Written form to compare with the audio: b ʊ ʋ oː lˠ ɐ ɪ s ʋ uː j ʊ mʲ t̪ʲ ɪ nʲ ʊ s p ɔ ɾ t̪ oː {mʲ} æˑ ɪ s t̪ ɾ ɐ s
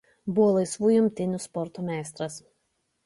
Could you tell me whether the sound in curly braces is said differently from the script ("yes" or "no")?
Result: no